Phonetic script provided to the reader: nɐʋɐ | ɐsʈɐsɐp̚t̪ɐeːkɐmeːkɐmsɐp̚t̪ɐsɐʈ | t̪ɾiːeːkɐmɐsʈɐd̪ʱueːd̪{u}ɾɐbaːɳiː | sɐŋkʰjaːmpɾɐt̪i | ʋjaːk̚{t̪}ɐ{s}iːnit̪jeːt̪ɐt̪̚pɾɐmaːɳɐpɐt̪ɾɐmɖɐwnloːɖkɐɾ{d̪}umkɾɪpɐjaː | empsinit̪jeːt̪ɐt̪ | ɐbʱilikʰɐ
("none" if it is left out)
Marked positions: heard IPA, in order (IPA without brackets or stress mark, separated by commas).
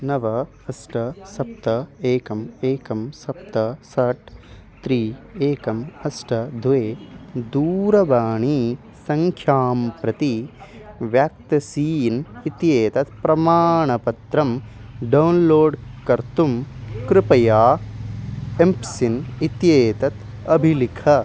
uː, t̪, s, t̪